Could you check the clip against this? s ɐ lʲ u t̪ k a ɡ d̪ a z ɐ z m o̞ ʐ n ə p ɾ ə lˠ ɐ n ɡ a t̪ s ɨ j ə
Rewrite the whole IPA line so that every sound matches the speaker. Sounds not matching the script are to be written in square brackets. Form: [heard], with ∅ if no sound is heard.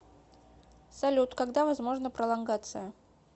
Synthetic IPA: s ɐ lʲ u t̪ k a ɡ d̪ a [v] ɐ z m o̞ ʐ n ə p ɾ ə lˠ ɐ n ɡ a t̪ s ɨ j ə